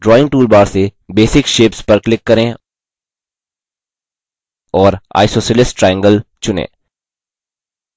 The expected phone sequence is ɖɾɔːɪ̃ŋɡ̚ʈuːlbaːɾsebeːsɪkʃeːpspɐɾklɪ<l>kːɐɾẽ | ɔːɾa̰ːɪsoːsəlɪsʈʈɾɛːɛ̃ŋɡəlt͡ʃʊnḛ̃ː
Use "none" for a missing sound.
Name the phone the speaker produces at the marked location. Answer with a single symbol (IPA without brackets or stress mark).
none